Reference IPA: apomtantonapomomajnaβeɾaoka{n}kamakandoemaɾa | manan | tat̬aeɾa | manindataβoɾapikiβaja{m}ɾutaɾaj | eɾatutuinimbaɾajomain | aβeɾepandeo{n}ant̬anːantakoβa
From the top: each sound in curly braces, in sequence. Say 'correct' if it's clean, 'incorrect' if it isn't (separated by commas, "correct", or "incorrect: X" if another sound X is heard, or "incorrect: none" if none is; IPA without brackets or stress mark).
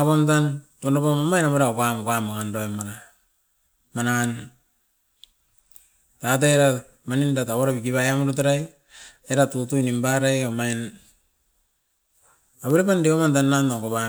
incorrect: m, correct, incorrect: m